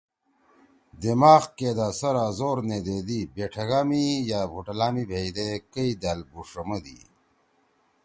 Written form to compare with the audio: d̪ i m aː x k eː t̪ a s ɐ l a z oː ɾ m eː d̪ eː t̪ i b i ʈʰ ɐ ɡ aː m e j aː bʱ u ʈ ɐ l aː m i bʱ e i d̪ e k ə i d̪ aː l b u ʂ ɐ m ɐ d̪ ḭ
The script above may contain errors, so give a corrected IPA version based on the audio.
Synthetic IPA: d̪ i m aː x k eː d̪ a s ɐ ɾ a z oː ɾ n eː d̪ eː d̪ i b e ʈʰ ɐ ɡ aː m i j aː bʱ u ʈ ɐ l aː m i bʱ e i d̪ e k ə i d̪ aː l b u ʂ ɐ m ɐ d̪ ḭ